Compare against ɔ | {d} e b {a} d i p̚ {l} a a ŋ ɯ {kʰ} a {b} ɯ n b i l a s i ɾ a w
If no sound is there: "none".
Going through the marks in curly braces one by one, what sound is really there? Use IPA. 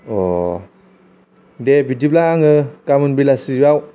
d, i, l, k, m

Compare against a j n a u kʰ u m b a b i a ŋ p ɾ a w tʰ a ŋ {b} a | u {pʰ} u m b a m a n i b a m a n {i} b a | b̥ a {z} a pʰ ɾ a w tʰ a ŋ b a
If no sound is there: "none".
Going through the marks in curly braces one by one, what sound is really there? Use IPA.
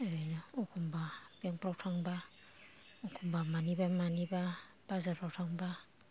b, kʰ, i, z

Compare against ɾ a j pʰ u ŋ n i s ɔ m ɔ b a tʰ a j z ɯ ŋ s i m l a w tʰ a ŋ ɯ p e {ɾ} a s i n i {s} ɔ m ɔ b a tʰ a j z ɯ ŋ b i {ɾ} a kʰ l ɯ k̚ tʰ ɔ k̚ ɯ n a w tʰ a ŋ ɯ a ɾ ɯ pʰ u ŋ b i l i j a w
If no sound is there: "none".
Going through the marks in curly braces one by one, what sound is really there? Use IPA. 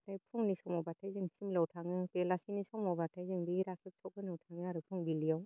l, s, ɾ

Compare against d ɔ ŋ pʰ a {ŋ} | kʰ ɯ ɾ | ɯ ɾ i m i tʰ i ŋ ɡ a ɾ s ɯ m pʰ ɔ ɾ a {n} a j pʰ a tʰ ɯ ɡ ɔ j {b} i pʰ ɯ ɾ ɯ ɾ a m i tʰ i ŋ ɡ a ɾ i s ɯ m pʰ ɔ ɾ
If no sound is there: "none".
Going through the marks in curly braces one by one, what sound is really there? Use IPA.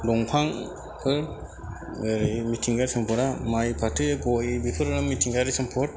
ŋ, m, b

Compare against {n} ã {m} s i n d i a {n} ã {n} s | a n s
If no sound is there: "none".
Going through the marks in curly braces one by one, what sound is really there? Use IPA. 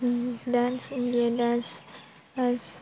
d, n, d, n

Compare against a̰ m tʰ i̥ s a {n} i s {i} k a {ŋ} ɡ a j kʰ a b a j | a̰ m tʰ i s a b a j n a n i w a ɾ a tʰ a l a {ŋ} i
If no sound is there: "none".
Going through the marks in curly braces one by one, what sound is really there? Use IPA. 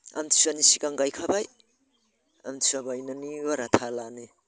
n, i, ŋ, n

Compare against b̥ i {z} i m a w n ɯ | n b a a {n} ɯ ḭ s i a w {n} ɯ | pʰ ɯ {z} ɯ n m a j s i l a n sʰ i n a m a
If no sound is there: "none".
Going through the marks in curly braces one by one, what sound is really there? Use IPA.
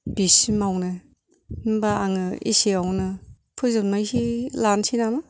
s, ŋ, n, z

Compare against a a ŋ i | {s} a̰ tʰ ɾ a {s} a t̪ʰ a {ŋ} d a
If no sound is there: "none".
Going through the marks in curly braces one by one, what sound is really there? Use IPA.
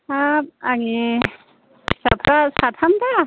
s, s, m

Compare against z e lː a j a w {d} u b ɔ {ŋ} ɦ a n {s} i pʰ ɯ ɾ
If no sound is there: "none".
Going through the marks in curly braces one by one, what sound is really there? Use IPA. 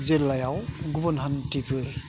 ɡ, n, t

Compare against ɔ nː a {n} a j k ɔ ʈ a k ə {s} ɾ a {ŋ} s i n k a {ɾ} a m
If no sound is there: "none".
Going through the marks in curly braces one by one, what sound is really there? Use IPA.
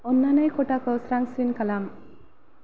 n, s, ŋ, l

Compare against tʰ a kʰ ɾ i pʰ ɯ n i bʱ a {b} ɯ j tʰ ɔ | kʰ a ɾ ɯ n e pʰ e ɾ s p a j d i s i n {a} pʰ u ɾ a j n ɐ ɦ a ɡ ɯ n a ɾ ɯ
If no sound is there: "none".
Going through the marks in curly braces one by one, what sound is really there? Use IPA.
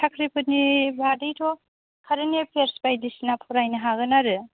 d, a

